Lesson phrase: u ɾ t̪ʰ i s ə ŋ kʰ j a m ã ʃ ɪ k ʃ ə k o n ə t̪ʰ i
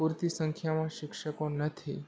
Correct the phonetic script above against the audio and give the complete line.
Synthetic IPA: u ɾ t̪ i s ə ŋ kʰ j a m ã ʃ ɪ k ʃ ə k o n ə t̪ʰ i